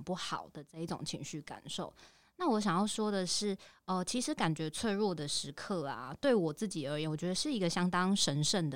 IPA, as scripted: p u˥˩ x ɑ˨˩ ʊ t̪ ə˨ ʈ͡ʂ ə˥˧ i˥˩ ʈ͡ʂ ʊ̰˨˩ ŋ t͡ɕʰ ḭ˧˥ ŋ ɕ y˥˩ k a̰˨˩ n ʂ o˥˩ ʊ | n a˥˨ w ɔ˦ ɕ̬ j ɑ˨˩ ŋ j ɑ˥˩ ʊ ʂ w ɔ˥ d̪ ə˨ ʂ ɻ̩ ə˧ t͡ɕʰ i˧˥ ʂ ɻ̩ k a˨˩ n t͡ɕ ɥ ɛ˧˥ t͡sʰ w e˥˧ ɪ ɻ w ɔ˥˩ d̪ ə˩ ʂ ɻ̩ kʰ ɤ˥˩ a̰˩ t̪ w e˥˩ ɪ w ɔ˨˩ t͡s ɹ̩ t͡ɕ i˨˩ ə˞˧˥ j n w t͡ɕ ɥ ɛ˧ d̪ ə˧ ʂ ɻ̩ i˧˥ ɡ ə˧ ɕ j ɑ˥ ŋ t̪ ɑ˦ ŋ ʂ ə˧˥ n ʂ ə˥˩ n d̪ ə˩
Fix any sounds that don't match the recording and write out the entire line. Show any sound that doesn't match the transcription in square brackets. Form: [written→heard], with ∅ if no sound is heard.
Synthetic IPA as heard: p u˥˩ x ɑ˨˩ ʊ [t̪→d̪] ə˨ ʈ͡ʂ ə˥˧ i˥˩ ʈ͡ʂ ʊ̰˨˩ ŋ t͡ɕʰ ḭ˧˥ ŋ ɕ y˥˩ k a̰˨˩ n ʂ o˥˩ ʊ | n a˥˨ w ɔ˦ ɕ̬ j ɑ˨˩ ŋ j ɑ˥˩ ʊ ʂ w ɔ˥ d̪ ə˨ ʂ ɻ̩ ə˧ t͡ɕʰ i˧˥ ʂ ɻ̩ k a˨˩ n t͡ɕ ɥ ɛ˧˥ t͡sʰ w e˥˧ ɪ ɻ w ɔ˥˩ d̪ ə˩ ʂ ɻ̩ kʰ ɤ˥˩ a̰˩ t̪ w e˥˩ ɪ w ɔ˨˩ t͡s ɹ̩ t͡ɕ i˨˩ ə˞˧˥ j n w t͡ɕ ɥ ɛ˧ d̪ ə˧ ʂ ɻ̩ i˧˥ ɡ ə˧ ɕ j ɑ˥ ŋ t̪ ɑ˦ ŋ ʂ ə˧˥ n ʂ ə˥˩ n d̪ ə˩